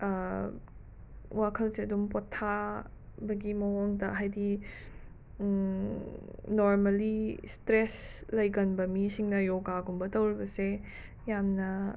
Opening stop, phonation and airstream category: aspirated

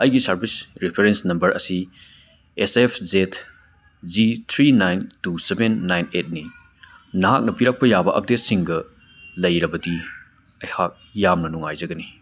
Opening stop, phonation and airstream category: plain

